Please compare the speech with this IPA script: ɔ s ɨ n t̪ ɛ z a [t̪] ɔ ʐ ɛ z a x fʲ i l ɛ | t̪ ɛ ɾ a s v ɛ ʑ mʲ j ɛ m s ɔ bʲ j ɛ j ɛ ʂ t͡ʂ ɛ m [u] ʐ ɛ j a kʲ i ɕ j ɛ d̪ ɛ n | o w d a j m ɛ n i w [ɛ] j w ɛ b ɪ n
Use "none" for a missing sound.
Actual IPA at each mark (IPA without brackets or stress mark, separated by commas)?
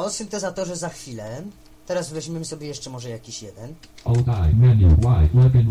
t̪, ɔ, a